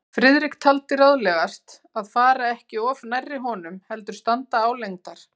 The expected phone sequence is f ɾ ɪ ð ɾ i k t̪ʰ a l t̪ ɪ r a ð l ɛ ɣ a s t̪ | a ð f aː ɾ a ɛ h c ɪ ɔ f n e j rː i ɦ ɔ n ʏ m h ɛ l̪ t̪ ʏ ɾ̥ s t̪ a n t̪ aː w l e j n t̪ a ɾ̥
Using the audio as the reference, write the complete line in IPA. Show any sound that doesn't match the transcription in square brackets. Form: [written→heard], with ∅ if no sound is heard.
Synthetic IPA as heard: f ɾ ɪ ð ɾ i k t̪ʰ a l t̪ ɪ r a ð l ɛ ɣ a s t̪ | a ð f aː ɾ a ɛ h c ɪ ɔ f n [e→a] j rː [i→ɪ] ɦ ɔ n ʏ m h ɛ l̪ t̪ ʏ ɾ̥ s t̪ a n t̪ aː w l e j [n→ŋ] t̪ a ɾ̥